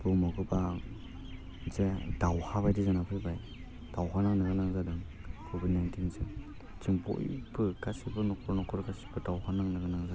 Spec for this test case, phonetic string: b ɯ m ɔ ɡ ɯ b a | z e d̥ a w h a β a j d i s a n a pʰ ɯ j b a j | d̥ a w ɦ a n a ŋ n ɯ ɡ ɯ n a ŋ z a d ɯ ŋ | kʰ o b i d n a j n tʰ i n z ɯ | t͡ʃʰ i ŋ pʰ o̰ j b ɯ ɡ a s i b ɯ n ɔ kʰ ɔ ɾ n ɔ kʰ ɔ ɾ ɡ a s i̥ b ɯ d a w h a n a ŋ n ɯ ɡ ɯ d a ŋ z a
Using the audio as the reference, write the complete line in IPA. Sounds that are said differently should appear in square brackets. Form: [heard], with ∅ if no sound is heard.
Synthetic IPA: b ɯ m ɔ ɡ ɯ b a | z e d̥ a w h a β a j d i [z] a n a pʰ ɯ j b a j | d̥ a w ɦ a n a ŋ n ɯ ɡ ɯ n a ŋ z a d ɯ ŋ | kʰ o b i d n a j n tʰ i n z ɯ | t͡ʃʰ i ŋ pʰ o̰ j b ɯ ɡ a s i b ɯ n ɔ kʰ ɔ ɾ n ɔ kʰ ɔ ɾ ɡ a s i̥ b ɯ d a w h a n a ŋ n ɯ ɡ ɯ [n] a ŋ z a